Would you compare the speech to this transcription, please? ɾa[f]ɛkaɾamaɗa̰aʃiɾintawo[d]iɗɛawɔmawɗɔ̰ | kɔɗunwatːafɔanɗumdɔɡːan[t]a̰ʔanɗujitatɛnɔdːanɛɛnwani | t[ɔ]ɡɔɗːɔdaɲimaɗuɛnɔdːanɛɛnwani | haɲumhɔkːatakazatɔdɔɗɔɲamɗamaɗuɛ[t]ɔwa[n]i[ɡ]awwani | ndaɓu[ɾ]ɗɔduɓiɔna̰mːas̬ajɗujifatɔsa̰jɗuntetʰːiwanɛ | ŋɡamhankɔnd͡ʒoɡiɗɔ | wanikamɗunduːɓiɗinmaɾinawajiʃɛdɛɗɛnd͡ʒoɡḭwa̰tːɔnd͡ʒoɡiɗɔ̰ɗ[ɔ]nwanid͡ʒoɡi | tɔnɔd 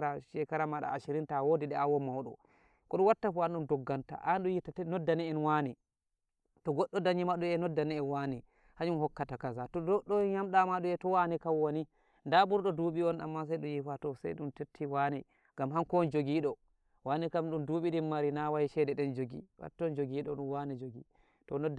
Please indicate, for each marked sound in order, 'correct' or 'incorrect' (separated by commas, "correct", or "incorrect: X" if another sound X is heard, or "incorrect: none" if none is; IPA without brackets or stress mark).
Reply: incorrect: ʃ, correct, correct, correct, correct, correct, incorrect: k, correct, incorrect: u